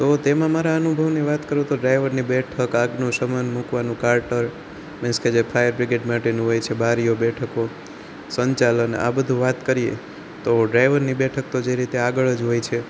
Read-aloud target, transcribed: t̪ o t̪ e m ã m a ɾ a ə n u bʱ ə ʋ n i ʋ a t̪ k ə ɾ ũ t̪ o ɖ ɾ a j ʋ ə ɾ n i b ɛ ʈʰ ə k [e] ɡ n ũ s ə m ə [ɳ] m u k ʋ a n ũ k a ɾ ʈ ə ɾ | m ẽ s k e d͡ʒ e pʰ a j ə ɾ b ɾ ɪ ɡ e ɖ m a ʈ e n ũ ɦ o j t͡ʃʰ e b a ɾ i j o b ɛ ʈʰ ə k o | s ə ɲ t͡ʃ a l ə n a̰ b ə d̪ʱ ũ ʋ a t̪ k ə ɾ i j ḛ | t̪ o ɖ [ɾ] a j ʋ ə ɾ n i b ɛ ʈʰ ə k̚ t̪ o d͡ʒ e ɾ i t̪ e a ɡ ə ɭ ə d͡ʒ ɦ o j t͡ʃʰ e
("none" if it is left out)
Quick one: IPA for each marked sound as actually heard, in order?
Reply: a, n, ɾ

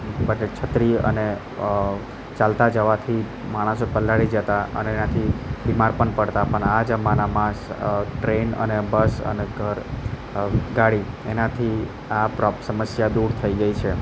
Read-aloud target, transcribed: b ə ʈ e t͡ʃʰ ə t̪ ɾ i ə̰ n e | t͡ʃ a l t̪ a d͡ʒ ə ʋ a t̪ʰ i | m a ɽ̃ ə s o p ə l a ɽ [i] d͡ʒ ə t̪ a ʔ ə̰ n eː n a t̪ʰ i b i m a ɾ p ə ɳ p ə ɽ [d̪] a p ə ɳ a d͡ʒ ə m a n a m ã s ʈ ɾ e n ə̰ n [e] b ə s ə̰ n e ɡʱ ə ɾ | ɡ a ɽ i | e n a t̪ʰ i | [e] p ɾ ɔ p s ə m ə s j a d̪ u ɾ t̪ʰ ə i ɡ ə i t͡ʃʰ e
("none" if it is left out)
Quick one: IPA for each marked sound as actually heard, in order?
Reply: i, t̪, e, a

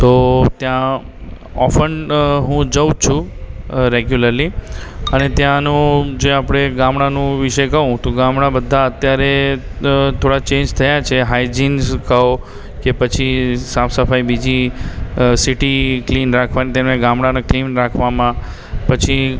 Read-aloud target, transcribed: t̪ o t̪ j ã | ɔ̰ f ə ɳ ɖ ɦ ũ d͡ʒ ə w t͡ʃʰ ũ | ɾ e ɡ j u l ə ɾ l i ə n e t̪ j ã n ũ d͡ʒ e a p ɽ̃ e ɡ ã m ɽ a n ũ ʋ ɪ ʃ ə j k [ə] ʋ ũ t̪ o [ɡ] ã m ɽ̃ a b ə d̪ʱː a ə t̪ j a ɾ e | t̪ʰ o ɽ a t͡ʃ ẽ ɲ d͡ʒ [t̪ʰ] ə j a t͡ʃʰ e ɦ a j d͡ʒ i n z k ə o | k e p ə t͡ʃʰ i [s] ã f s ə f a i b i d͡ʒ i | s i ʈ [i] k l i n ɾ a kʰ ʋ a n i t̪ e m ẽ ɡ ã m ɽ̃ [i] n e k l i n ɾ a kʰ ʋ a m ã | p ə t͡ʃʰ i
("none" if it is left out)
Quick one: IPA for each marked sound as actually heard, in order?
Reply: ə, ɡ, t̪ʰ, s, i, a

